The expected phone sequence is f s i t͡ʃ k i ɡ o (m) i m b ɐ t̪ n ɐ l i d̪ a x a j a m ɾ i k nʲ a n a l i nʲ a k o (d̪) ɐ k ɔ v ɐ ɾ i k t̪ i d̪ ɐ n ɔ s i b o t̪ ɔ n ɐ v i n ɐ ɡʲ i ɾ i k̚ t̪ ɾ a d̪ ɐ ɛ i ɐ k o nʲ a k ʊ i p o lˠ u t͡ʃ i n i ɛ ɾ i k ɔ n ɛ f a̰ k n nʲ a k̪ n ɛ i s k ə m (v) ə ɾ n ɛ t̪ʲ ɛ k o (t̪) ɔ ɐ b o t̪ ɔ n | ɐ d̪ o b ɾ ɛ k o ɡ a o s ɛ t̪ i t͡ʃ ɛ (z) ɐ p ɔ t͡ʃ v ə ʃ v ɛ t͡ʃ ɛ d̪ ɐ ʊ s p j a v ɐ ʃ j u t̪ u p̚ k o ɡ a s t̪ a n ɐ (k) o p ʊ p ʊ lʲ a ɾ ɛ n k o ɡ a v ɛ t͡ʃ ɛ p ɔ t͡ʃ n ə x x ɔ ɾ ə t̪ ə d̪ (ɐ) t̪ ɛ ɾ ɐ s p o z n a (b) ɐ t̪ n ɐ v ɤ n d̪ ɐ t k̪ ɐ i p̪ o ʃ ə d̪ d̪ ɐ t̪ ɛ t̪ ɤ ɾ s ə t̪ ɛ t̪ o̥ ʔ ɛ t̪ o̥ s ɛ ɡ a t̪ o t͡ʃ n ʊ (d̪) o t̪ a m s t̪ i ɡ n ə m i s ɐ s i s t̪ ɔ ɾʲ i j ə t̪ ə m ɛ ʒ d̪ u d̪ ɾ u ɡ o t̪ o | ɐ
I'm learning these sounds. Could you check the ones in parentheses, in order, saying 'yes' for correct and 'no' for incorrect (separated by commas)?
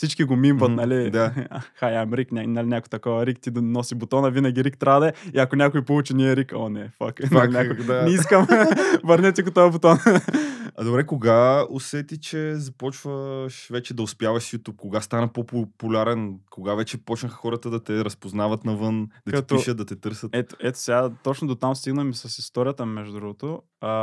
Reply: yes, no, yes, yes, yes, no, yes, no, yes